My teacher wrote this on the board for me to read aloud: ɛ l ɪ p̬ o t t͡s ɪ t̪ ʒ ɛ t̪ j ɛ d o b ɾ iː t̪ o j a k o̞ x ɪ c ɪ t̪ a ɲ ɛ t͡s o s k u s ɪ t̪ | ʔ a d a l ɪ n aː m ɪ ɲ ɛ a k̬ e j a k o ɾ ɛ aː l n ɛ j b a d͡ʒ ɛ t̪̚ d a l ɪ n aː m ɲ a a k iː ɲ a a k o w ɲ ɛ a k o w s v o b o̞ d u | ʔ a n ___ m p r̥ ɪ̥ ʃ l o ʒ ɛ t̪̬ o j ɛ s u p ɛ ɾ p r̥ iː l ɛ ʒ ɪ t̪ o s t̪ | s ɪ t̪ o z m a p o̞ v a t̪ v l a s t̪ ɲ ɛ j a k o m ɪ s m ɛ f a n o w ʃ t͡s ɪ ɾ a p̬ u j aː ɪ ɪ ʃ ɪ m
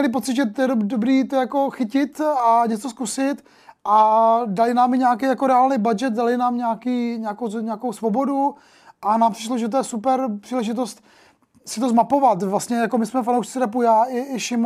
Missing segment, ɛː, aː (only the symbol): aː